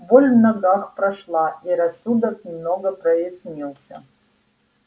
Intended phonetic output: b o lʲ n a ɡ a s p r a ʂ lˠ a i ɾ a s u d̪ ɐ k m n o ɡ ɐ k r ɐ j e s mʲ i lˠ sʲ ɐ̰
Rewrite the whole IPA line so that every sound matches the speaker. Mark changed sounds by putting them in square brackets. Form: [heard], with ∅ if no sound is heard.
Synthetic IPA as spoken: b o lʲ n a ɡ a [χ] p r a ʂ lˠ a i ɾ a s u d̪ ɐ k m n o ɡ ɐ [p] r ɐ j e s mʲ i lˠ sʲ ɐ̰